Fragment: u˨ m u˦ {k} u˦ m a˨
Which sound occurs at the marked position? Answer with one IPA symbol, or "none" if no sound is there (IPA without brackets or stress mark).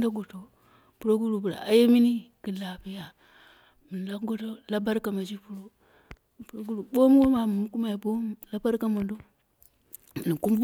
k